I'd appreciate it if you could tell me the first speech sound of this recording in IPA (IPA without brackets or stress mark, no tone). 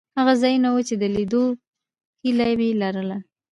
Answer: h